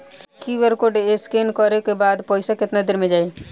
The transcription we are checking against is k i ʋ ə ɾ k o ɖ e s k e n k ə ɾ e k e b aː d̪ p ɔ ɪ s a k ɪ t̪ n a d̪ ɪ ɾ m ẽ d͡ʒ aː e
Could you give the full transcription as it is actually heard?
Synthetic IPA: k i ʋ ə ɾ k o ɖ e s k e n k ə ɾ e k e b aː d̪ p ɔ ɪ s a k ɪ t̪ n a d̪ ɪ ɾ m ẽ d͡ʒ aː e